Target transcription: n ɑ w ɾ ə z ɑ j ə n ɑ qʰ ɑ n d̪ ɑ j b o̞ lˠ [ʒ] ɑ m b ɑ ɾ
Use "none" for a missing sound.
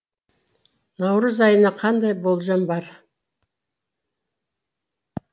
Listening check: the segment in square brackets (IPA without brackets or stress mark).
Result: ʒ